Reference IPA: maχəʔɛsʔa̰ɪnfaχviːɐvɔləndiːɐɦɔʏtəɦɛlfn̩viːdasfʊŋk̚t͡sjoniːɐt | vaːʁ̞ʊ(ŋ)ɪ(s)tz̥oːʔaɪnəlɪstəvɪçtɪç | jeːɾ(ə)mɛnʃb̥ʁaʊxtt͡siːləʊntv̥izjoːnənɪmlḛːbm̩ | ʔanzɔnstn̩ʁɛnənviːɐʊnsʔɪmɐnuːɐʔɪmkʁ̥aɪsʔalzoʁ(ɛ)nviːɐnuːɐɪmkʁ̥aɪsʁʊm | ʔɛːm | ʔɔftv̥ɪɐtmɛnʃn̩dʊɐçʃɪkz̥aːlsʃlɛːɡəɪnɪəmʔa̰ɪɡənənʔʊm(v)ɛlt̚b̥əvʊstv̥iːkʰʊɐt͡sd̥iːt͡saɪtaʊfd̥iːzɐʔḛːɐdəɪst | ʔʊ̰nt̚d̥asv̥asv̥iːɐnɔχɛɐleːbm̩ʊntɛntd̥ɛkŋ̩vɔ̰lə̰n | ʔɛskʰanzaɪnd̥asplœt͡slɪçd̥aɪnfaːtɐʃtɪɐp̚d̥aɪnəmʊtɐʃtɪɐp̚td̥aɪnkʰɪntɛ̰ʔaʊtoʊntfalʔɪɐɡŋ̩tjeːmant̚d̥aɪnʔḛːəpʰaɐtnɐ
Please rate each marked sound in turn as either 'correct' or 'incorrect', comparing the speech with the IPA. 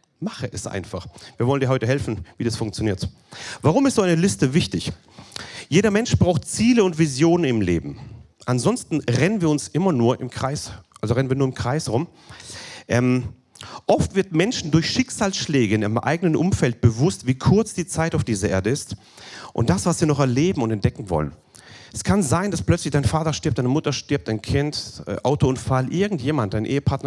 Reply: incorrect: m, correct, incorrect: ɐ, correct, incorrect: f

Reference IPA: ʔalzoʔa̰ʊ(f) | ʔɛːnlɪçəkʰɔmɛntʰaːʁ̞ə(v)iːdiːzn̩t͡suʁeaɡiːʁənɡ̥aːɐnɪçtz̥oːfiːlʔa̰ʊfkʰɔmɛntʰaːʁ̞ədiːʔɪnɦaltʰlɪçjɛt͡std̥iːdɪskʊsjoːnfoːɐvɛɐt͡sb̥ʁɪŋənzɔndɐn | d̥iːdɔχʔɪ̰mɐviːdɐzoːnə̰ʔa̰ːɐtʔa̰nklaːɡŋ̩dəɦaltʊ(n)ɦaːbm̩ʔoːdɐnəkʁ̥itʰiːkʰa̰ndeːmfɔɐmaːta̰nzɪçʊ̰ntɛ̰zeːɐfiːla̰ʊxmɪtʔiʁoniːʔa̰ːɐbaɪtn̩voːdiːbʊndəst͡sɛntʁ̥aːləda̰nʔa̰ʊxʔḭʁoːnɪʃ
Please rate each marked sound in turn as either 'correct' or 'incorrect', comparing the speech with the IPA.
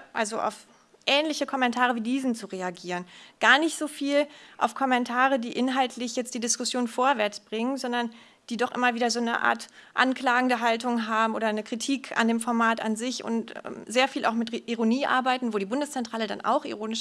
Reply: correct, correct, incorrect: ŋ

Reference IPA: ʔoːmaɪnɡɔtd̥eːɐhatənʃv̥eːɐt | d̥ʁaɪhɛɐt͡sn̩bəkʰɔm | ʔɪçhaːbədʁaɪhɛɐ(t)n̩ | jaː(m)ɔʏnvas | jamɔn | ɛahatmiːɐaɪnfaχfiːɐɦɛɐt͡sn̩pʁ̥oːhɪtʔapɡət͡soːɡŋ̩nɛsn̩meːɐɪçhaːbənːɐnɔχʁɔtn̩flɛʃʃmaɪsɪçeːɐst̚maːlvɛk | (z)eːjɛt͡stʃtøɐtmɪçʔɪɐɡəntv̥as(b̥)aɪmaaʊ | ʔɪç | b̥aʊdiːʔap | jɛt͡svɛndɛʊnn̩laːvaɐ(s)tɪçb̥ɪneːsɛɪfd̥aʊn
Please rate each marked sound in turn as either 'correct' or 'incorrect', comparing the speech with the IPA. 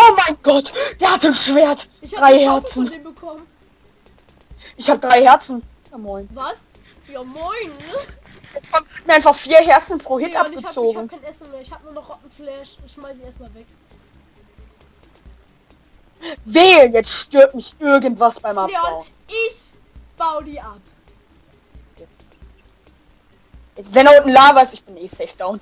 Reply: incorrect: t͡s, correct, incorrect: v, correct, correct

